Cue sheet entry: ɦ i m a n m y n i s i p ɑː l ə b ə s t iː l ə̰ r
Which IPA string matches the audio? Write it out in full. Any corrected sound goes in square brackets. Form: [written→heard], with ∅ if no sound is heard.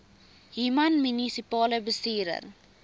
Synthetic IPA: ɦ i m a n m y n i s i p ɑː l ə b ə s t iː [l→ɾ] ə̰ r